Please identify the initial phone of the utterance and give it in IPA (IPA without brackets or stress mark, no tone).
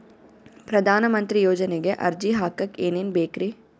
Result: p